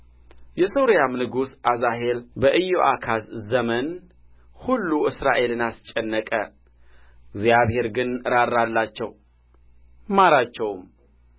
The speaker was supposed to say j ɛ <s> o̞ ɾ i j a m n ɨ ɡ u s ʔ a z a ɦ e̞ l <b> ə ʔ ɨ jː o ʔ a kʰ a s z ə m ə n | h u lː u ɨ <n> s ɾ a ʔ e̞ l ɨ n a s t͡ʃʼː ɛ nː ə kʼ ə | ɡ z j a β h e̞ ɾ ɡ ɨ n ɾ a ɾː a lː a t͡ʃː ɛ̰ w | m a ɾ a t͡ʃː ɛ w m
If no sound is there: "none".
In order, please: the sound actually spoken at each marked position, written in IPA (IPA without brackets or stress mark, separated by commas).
s, b, none